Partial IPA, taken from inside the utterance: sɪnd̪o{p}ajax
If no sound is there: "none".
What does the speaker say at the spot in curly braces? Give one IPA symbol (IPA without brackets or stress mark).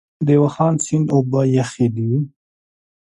b